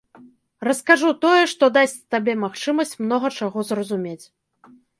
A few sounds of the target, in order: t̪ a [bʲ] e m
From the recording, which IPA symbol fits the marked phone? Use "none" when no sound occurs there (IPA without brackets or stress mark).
bʲ